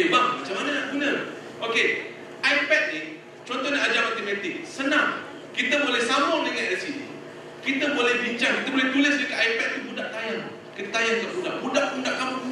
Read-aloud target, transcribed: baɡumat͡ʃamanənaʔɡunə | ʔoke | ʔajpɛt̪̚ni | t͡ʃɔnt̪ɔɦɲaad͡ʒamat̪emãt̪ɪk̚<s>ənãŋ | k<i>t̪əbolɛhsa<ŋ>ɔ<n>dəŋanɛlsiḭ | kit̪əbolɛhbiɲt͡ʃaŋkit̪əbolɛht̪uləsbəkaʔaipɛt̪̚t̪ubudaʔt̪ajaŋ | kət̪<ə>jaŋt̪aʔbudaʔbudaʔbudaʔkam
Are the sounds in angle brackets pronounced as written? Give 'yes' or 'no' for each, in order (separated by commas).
yes, yes, no, no, no